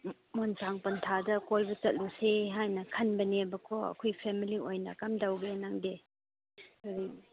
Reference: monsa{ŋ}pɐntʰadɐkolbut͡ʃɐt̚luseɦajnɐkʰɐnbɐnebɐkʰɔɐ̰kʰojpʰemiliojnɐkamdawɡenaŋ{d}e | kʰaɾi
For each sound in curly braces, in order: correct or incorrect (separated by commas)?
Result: correct, correct